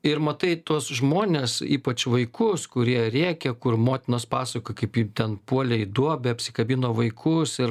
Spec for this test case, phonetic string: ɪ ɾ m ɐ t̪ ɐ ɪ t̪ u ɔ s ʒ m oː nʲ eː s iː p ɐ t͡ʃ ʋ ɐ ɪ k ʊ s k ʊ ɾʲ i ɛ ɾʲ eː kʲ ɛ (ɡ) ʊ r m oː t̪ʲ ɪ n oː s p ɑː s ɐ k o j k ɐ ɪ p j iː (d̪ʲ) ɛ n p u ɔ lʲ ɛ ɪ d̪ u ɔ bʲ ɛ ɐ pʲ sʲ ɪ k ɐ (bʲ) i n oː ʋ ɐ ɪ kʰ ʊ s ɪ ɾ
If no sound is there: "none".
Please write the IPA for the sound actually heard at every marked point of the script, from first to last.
k, t̪ʲ, bʲ

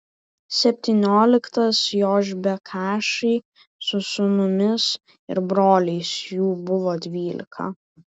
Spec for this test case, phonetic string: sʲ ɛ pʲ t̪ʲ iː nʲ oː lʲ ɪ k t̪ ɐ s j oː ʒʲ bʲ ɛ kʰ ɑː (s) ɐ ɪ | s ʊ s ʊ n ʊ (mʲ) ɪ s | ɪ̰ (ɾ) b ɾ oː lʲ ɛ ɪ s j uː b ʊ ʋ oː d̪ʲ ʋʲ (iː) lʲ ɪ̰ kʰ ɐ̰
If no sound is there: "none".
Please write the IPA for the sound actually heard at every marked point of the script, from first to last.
ʃ, mʲ, ɾ, iː

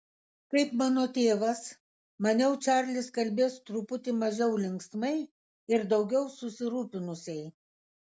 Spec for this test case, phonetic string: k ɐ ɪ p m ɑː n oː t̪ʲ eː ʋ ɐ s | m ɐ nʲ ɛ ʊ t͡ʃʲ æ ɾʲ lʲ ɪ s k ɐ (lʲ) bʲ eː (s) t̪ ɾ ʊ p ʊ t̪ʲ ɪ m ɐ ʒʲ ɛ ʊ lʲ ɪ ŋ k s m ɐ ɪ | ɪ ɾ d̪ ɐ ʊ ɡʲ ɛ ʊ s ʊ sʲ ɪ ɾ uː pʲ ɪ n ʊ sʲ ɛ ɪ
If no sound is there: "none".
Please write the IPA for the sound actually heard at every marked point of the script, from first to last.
lʲ, s

